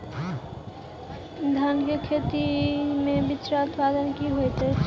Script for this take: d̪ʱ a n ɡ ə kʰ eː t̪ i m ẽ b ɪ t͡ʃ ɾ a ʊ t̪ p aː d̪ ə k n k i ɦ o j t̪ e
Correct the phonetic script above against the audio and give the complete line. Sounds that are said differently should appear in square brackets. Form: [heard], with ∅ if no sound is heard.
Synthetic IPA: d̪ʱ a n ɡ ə kʰ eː t̪ i m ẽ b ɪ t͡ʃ ɾ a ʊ t̪ p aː d̪ ə [∅] n k i ɦ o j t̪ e